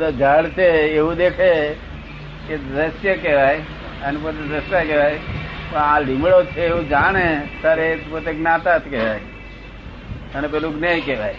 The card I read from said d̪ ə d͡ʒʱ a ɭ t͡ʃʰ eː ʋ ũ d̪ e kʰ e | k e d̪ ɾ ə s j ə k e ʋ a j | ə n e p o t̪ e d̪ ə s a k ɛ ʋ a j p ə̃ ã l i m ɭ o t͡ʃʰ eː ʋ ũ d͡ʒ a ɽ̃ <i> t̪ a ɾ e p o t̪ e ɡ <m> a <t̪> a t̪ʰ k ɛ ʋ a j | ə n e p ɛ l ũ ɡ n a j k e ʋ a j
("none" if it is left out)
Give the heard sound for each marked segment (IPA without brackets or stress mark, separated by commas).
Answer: e, n, t̪